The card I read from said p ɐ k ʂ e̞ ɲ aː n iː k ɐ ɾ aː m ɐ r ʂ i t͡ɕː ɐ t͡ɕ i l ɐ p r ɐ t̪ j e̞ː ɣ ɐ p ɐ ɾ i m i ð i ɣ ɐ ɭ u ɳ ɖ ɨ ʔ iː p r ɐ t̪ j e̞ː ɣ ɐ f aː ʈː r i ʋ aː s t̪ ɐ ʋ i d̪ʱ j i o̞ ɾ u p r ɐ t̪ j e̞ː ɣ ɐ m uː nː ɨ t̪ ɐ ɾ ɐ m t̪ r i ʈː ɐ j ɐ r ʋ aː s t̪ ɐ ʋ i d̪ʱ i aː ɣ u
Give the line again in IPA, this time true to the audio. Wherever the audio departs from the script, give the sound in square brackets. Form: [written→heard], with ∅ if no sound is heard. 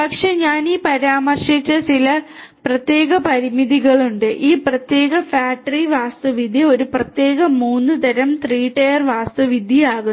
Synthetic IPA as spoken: p ɐ k ʂ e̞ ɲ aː n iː [k→p] ɐ ɾ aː m ɐ r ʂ i t͡ɕː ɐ t͡ɕ i l ɐ p r ɐ t̪ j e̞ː ɣ ɐ p ɐ ɾ i m i ð i ɣ ɐ ɭ u ɳ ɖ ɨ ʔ iː p r ɐ t̪ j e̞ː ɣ ɐ f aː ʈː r i ʋ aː s t̪ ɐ ʋ i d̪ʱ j i o̞ ɾ u p r ɐ t̪ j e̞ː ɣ ɐ m uː nː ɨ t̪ ɐ ɾ ɐ m t̪ r [i→iː] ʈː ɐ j ɐ r ʋ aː s t̪ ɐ ʋ i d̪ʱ i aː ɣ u